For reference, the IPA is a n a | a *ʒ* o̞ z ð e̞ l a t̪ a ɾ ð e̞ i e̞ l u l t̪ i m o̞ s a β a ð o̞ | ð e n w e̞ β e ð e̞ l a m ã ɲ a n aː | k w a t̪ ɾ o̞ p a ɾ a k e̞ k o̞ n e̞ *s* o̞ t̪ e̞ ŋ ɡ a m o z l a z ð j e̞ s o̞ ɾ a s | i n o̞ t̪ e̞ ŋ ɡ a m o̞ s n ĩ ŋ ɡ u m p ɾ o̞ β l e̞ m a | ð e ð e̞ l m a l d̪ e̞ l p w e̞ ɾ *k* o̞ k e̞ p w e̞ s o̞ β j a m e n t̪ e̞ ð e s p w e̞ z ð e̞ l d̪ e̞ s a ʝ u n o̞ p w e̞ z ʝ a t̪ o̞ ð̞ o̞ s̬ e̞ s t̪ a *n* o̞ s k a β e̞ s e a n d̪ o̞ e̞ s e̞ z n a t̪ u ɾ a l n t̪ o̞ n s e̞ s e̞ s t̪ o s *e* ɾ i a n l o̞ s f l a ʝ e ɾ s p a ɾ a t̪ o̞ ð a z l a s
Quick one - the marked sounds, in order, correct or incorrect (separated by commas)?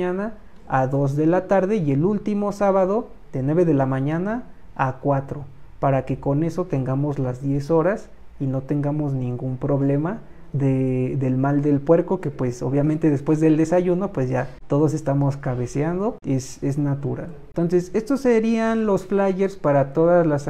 incorrect, correct, correct, incorrect, correct